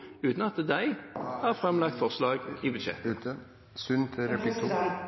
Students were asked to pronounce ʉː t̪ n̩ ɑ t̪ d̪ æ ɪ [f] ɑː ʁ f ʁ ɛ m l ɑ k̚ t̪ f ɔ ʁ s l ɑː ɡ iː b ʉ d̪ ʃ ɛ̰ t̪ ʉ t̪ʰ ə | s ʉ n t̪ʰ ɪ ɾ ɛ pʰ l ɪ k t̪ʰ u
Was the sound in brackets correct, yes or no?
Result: no